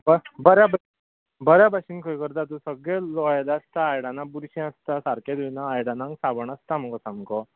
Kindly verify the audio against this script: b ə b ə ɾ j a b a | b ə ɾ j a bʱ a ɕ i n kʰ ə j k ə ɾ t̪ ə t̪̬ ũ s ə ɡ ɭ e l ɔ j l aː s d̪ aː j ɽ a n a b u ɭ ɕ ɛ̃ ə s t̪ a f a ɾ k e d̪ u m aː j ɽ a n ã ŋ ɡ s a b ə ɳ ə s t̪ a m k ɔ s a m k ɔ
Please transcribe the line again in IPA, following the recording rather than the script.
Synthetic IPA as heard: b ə b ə ɾ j a b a | b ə ɾ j a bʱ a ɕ i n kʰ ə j k ə ɾ t̪ a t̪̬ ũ s ə ɡ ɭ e l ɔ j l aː s t̪ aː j ɽ a n a b u ɾ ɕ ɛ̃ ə s t̪ a s a ɾ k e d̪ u n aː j ɽ a n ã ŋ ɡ s a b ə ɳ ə s t̪ a m k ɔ s a m k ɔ